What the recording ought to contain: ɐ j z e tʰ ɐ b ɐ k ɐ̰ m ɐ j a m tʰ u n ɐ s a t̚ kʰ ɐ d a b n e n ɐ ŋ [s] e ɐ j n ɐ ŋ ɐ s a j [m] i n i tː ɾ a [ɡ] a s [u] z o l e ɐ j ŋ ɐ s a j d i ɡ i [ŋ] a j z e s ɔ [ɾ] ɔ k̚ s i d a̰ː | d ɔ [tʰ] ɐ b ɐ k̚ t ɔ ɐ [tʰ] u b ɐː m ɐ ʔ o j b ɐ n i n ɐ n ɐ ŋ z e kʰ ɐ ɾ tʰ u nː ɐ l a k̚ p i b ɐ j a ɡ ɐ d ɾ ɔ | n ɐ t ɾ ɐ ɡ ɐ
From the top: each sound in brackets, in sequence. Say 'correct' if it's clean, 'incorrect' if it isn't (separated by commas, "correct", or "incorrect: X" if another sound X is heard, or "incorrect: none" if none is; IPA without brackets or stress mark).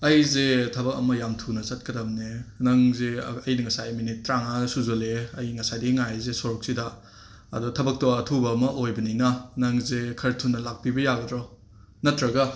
incorrect: z, correct, incorrect: ŋ, correct, correct, correct, correct, correct